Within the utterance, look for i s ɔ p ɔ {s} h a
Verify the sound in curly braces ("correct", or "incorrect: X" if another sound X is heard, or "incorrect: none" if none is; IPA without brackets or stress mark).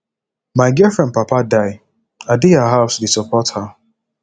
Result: incorrect: t